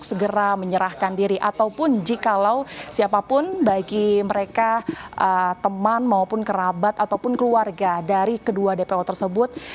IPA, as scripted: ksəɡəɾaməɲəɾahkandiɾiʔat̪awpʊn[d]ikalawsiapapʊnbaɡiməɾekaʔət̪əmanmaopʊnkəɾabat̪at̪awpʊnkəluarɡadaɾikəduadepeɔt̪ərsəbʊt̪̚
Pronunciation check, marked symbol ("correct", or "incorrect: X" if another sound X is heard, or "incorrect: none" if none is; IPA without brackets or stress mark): incorrect: d͡ʒ